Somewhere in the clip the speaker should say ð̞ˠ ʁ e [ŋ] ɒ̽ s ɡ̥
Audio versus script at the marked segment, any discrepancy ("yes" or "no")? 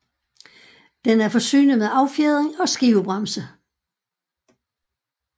no